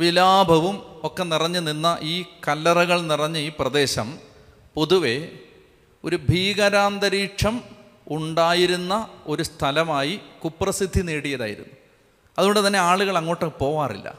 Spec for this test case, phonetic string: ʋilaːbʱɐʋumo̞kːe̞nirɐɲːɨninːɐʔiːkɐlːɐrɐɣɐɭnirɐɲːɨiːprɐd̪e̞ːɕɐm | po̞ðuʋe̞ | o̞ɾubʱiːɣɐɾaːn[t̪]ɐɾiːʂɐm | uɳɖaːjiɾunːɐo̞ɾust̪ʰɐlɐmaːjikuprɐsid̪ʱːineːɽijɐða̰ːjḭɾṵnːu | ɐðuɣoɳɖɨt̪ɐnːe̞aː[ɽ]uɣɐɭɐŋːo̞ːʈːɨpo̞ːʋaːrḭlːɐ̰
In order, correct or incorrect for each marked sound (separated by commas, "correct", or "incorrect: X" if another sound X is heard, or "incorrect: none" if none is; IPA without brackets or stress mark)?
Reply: incorrect: d̪, incorrect: ɭ